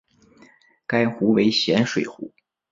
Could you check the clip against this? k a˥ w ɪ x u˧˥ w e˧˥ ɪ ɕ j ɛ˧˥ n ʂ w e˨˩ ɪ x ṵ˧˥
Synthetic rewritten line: k a˥ ɪ x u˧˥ w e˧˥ ɪ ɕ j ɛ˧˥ n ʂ w e˨˩ ɪ x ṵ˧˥

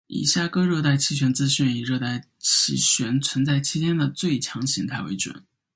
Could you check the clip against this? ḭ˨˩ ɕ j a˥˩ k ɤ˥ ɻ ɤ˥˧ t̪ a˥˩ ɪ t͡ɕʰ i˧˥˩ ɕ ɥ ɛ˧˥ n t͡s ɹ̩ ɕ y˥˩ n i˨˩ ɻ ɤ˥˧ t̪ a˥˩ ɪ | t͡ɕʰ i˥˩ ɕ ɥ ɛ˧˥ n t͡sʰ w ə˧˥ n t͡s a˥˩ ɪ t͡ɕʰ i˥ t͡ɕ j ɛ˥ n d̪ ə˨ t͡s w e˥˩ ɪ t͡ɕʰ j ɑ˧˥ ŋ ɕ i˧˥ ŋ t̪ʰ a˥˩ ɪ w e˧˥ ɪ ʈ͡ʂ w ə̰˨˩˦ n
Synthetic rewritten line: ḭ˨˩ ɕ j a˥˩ k ɤ˥ ɻ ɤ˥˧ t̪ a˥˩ ɪ t͡ɕʰ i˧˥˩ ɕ ɥ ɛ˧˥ n t͡s ɹ̩ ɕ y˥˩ n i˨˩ ɻ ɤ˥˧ t̪ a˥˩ ɪ | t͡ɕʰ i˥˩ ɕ ɥ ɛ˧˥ n t͡sʰ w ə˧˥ n t͡s a˥˩ ɪ t͡ɕʰ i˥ t͡ɕ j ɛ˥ n d̪ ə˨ t͡s w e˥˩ ɪ t͡ɕʰ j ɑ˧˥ ŋ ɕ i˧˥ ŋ t̪ʰ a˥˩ ɪ w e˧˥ ɪ ʈ͡ʂ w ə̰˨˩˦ n

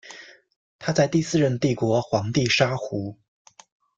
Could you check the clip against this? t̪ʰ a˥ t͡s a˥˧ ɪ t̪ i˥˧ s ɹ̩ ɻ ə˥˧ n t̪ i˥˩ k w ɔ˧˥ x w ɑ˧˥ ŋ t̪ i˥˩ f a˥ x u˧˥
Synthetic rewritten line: t̪ʰ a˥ t͡s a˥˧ ɪ t̪ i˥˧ s ɹ̩ ɻ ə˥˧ n t̪ i˥˩ k w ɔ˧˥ x w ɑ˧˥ ŋ t̪ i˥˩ ʂ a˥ x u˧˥

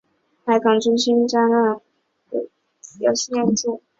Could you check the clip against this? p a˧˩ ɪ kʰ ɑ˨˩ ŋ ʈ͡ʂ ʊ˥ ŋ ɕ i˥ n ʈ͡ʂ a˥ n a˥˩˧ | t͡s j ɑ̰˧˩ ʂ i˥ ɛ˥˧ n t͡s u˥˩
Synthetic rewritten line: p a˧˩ ɪ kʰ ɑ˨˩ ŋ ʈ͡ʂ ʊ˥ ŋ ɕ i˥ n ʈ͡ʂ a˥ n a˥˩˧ | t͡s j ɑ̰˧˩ ɕ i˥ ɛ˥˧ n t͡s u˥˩

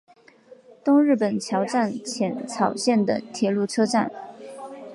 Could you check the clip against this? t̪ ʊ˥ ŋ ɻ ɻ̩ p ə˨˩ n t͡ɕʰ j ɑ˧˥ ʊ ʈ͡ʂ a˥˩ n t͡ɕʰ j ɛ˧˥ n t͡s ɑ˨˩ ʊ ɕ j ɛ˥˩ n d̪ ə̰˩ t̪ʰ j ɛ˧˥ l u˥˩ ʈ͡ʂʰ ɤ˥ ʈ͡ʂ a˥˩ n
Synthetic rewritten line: t̪ ʊ˥ ŋ ɻ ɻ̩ p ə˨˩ n t͡ɕʰ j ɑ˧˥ ʊ ʈ͡ʂ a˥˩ n t͡ɕʰ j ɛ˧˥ n t͡sʰ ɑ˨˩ ʊ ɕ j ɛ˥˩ n d̪ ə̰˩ t̪ʰ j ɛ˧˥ l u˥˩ ʈ͡ʂʰ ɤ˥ ʈ͡ʂ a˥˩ n

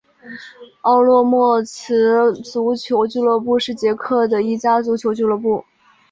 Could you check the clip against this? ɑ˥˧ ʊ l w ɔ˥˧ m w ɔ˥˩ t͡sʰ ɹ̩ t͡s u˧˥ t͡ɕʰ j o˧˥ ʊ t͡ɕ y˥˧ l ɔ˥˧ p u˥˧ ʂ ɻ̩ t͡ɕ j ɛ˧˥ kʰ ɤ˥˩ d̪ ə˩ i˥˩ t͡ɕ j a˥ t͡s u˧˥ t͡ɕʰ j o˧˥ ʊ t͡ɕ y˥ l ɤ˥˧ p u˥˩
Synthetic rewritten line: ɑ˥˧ ʊ l w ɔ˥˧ m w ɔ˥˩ t͡sʰ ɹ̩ t͡s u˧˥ t͡ɕʰ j o˧˥ ʊ t͡ɕ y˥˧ l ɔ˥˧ p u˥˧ ʂ ɻ̩ t͡ɕ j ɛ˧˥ kʰ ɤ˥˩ d̪ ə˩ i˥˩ t͡ɕ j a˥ t͡s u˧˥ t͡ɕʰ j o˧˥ ʊ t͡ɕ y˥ l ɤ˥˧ p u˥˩

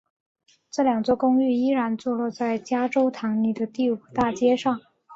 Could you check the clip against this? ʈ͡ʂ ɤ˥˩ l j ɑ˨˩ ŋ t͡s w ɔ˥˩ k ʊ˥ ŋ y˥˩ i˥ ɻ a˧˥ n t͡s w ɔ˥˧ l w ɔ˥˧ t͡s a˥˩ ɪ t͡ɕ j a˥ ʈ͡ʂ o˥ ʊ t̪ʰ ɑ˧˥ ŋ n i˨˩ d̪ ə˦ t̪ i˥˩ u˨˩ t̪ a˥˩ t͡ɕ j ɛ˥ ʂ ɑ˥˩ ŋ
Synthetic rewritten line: ʈ͡ʂ ɤ˥˩ l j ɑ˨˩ ŋ t͡s w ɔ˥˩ k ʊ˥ ŋ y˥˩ i˥ ɻ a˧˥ n t͡s w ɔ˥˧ l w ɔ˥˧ t͡s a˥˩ ɪ t͡ɕ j a˥ ʈ͡ʂ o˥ ʊ t̪ʰ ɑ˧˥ ŋ n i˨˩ d̪ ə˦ t̪ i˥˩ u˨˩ t̪ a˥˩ t͡ɕ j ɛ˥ ʂ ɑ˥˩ ŋ

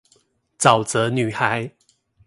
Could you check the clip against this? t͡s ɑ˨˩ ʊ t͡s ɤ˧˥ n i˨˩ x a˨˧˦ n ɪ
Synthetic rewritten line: t͡s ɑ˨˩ ʊ t͡s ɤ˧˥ n y˨˩ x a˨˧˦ ɪ

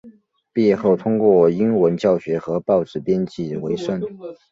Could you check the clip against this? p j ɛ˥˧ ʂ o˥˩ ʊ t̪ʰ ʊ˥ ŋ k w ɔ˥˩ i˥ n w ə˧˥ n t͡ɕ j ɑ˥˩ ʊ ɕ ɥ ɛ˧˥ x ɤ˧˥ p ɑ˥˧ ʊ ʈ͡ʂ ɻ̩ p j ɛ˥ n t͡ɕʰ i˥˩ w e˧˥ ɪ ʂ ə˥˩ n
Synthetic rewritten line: p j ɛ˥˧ x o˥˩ ʊ t̪ʰ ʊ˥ ŋ k w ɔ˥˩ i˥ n w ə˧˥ n t͡ɕ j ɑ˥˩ ʊ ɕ ɥ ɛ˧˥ x ɤ˧˥ p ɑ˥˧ ʊ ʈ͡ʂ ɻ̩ p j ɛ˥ n t͡ɕ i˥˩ w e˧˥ ɪ ʂ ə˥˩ n

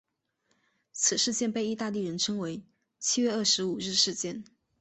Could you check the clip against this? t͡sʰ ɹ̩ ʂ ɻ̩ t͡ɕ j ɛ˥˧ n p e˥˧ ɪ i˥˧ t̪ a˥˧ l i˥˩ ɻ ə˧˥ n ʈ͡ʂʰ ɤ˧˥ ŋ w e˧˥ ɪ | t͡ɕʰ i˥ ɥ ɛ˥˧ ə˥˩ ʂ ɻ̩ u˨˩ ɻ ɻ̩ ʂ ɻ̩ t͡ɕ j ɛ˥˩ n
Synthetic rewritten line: t͡sʰ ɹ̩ ʂ ɻ̩ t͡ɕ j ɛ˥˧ n p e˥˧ ɪ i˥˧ t̪ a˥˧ l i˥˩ ɻ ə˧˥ n ʈ͡ʂʰ ɤ˥ ŋ w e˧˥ ɪ | t͡ɕʰ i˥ ɥ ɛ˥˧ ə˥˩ ʂ ɻ̩ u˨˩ ɻ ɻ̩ ʂ ɻ̩ t͡ɕ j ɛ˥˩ n

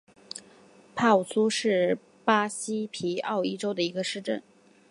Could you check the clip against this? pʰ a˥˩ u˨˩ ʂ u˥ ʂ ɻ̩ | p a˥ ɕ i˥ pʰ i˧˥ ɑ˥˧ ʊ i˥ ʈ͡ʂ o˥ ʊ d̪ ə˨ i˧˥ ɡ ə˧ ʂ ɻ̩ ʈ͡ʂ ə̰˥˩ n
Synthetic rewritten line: pʰ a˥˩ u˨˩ s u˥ ʂ ɻ̩ | p a˥ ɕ i˥ pʰ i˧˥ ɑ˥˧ ʊ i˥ ʈ͡ʂ o˥ ʊ d̪ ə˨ i˧˥ ɡ ə˧ ʂ ɻ̩ ʈ͡ʂ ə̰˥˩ n

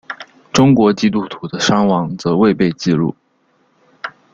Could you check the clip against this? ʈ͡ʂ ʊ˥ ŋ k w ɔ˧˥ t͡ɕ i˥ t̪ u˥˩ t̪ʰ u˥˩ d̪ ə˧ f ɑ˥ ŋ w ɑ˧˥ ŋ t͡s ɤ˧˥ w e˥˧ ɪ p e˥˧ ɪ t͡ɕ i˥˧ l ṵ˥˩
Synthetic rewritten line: ʈ͡ʂ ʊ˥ ŋ k w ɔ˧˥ t͡ɕ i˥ t̪ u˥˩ t̪ʰ u˧˥ d̪ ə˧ ʂ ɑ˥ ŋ w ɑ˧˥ ŋ t͡s ɤ˧˥ w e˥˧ ɪ p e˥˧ ɪ t͡ɕ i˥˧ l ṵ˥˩

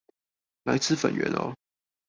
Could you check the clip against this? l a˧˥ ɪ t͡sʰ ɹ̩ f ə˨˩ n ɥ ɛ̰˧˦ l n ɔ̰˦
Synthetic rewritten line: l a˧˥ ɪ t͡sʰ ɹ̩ f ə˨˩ n ɥ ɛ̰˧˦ n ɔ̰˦

